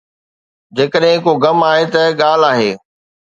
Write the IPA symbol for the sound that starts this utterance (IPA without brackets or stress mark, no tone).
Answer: d͡ʑ